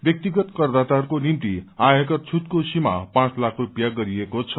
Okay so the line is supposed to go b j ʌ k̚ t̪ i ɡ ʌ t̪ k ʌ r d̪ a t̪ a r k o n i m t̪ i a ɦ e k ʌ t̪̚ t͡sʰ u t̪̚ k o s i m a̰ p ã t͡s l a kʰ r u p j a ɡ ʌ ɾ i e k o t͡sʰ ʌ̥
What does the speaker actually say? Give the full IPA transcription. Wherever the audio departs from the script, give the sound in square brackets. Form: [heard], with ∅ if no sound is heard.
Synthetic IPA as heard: b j ʌ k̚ t̪ i ɡ ʌ t̪ k ʌ r d̪ a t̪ a r k o n i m t̪ i a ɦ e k ʌ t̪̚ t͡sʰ u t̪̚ k o s i m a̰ p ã t͡s l a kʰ r u p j a ɡ ʌ ɾ i e k o t͡sʰ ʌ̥